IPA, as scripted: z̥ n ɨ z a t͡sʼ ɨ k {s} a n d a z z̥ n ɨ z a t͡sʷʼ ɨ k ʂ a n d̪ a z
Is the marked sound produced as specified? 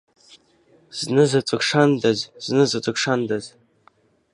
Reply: no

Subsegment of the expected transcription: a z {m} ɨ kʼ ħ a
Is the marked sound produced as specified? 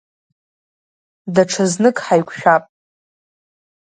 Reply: no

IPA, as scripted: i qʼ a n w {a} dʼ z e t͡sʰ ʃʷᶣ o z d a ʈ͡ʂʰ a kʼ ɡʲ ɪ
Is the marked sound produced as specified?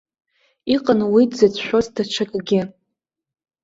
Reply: no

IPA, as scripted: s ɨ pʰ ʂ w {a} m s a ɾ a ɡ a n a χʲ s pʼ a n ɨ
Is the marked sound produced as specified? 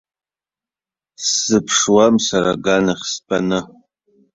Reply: yes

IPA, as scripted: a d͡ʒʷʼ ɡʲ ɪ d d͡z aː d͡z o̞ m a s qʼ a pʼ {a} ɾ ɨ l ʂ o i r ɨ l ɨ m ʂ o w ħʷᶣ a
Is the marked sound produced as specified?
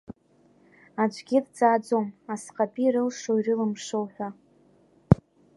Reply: no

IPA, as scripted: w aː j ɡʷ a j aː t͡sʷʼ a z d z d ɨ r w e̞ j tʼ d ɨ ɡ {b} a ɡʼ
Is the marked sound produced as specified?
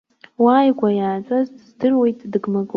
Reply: no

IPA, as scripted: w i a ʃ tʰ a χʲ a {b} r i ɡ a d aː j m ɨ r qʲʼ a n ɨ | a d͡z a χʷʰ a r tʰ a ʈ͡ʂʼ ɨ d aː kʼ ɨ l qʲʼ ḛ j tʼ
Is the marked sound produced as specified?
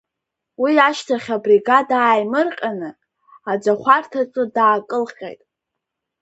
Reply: yes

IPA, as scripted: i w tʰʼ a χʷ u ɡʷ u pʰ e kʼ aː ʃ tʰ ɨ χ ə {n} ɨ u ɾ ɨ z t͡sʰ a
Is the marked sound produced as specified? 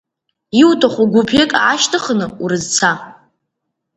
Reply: yes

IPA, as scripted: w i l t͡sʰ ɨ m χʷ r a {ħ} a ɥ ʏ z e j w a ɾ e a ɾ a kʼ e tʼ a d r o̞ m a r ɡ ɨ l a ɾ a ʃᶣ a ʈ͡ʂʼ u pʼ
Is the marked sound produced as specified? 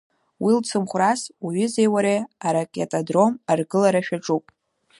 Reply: no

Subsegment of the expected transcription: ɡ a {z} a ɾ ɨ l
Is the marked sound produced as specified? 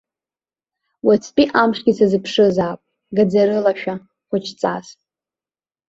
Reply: no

